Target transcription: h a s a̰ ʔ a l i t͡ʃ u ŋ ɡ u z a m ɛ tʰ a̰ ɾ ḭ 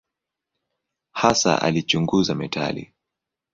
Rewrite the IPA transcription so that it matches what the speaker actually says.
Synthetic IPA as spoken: h a s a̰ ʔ a l i t͡ʃ u ŋ ɡ u z a m ɛ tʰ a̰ l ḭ

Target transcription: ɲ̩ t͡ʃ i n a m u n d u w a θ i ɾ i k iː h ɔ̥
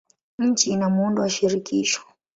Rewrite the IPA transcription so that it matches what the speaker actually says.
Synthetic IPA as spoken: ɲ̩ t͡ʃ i n a m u n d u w a ʃ i ɾ i k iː ʃ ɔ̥

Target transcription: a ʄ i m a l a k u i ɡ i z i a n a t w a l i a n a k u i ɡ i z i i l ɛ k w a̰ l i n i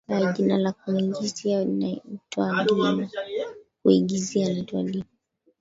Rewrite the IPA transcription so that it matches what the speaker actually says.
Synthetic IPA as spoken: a ʄ i n a l a k u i ɡ i z i a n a t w a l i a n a k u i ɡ i z i a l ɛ t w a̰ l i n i

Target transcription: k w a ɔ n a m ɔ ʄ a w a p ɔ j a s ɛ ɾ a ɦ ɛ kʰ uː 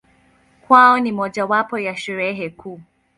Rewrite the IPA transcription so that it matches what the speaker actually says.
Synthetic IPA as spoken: k w a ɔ n i m ɔ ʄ a w a p ɔ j a ʃ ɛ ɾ ɛ ɦ ɛ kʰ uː

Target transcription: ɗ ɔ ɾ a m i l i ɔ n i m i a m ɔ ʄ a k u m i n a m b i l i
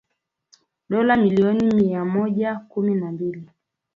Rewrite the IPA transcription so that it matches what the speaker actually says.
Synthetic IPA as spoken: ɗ ɔ l a m i l i ɔ n i m i a m ɔ ʄ a k u m i n a m b i l i

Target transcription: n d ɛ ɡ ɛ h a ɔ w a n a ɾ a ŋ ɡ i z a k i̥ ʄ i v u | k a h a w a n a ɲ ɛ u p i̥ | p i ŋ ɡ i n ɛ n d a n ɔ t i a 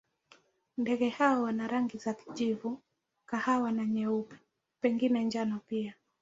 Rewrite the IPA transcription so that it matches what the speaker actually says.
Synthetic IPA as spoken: n d ɛ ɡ ɛ h a ɔ w a n a ɾ a ŋ ɡ i z a k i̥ ʄ i v u | k a h a w a n a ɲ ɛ u p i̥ | p ɛ ŋ ɡ i n ɛ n d͡ʒ a n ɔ p i a

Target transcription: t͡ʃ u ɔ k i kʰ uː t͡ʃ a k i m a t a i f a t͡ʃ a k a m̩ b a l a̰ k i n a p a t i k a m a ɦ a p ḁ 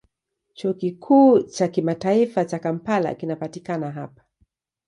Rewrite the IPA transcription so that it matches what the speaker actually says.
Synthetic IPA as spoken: t͡ʃ u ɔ k i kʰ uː t͡ʃ a k i m a t a i f a t͡ʃ a k a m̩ p a l a̰ k i n a p a t i k a n a ɦ a p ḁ

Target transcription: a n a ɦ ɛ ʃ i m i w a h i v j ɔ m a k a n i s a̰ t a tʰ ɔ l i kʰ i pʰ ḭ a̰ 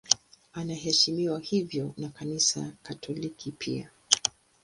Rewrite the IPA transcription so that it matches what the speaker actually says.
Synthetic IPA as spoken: a n a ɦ ɛ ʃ i m i w a h i v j ɔ n a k a n i s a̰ k a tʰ ɔ l i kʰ i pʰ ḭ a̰

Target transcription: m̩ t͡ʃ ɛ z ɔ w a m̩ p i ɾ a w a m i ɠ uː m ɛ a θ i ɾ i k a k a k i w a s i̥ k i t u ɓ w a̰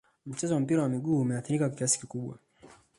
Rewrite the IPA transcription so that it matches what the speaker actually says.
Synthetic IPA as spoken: m̩ t͡ʃ ɛ z ɔ w a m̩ p i ɾ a w a m i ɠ uː m ɛ a θ i ɾ i k a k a k i a s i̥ k i k u ɓ w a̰

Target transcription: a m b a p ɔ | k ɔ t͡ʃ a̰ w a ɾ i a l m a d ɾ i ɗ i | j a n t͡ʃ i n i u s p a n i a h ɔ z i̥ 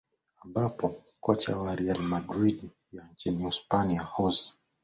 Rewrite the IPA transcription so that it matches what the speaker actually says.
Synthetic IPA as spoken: a m b a p ɔ | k ɔ t͡ʃ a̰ w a ɾ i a l m a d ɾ i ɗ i | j a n t͡ʃ i n i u s p a n i a h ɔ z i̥

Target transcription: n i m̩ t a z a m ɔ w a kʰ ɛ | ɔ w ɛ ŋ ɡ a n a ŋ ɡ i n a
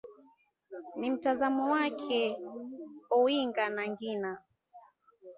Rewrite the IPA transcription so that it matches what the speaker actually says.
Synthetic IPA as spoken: n i m̩ t a z a m ɔ w a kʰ ɛ | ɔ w i ŋ ɡ a n a ŋ ɡ i n a

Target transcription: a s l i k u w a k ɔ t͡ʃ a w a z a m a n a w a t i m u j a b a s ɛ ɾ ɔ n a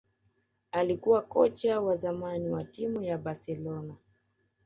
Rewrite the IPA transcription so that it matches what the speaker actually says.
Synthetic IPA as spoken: a l i k u w a k ɔ t͡ʃ a w a z a m a n i w a t i m u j a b a s ɛ l ɔ n a

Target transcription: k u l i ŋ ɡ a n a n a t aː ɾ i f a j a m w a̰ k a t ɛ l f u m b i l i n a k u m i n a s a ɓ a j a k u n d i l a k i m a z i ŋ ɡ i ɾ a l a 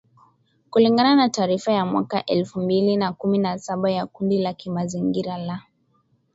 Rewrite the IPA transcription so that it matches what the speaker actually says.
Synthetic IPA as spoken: k u l i ŋ ɡ a n a n a t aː ɾ i f a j a m w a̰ k a ʔ ɛ l f u m b i l i n a k u m i n a s a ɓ a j a k u n d i l a k i m a z i ŋ ɡ i ɾ a l a

